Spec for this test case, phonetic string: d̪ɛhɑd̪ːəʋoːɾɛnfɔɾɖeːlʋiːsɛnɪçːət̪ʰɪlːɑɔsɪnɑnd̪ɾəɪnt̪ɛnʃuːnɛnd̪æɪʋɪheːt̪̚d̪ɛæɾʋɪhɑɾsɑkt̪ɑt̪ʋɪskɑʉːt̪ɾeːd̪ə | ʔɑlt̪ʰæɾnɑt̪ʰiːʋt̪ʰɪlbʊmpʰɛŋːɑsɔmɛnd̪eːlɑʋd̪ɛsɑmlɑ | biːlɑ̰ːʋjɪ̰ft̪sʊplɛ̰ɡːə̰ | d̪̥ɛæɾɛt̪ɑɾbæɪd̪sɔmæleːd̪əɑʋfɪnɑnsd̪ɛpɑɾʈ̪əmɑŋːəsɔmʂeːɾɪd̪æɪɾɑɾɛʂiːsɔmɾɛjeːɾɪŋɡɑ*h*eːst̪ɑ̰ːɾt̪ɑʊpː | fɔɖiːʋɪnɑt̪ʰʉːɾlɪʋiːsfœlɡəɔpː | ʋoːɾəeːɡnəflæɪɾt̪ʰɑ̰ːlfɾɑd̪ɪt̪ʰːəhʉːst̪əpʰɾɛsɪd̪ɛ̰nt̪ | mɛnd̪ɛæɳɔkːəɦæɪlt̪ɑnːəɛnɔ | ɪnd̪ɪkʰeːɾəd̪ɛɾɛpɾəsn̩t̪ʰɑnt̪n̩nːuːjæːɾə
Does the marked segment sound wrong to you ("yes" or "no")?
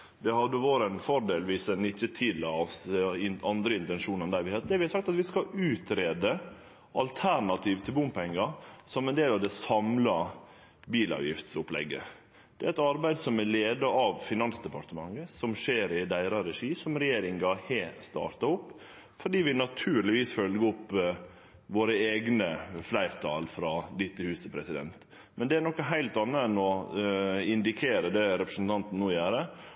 no